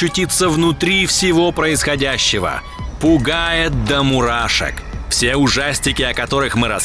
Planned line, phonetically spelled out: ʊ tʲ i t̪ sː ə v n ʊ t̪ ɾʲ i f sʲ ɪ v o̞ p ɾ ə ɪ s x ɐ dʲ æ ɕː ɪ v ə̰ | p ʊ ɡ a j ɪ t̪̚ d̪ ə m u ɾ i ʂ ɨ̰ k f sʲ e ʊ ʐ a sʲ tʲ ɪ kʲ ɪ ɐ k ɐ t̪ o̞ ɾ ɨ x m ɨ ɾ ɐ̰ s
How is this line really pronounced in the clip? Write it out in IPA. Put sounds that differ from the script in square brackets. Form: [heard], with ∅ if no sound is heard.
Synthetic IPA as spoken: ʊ tʲ i t̪ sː ə v n ʊ t̪ ɾʲ i f sʲ ɪ v o̞ p ɾ ə ɪ s x ɐ dʲ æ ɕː ɪ v ə̰ | p ʊ ɡ a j ɪ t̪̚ d̪ ə m [ʊ] ɾ [a] ʂ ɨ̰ k f sʲ e ʊ ʐ a sʲ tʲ ɪ kʲ ɪ ɐ k ɐ t̪ o̞ ɾ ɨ x m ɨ ɾ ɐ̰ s